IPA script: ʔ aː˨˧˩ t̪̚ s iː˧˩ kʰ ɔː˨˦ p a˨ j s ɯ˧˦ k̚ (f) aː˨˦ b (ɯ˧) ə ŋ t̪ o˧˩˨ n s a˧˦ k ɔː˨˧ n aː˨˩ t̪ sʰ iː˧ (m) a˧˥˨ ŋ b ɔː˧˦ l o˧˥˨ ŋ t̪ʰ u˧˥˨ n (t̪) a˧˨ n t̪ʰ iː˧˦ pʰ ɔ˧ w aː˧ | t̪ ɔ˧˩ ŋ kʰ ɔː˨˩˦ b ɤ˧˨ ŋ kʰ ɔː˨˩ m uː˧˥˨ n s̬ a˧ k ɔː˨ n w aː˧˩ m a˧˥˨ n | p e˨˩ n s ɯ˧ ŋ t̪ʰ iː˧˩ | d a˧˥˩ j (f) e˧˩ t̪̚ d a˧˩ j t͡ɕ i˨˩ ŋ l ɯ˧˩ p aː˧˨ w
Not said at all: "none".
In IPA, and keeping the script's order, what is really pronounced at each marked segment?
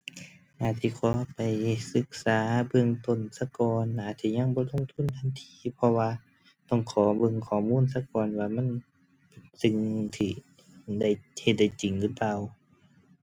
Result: s, ɯ˧, ɲ, t̪ʰ, h

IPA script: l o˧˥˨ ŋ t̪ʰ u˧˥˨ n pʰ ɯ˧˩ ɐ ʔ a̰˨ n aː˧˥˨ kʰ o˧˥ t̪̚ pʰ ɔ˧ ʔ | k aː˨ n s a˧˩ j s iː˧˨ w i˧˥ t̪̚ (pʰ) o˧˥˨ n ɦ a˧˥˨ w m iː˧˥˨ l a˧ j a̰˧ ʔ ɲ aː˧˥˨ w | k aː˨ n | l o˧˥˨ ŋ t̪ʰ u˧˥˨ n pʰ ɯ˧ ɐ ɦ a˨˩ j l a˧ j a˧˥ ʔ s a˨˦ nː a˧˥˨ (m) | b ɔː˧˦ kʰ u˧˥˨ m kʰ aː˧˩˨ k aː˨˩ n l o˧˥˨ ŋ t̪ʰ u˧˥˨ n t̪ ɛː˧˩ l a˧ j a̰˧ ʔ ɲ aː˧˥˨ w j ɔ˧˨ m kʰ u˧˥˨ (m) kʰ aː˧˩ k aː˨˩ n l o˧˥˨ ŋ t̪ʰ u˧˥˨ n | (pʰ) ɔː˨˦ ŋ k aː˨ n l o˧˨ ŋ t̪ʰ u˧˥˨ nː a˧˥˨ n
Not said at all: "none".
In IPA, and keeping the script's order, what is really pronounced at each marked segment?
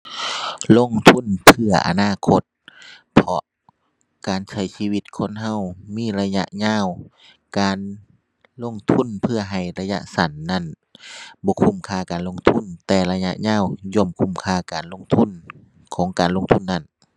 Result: kʰ, n, m, kʰ

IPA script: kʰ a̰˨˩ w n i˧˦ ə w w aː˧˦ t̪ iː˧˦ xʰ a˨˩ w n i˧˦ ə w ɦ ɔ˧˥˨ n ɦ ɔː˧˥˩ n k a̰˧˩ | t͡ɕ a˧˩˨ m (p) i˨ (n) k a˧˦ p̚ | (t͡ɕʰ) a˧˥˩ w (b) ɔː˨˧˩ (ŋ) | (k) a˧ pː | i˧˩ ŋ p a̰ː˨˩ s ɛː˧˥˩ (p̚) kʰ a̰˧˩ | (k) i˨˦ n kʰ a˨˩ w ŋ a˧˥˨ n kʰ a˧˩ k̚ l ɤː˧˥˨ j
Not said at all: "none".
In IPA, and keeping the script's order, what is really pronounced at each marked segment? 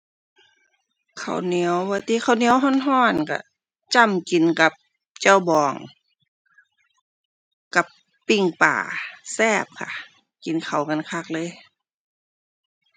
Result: k, n, t͡ɕ, b, ŋ, k, p̚, k

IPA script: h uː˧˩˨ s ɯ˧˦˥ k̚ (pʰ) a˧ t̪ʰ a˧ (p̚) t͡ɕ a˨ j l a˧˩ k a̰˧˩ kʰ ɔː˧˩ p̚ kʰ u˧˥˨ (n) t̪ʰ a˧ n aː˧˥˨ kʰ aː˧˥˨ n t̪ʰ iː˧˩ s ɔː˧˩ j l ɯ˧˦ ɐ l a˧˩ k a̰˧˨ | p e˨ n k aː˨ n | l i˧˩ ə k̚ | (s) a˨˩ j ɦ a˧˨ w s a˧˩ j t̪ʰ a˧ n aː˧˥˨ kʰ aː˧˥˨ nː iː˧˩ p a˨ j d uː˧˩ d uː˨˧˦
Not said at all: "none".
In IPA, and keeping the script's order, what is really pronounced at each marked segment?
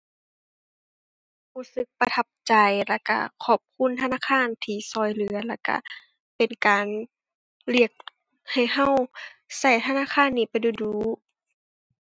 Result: p, p̚, n, h

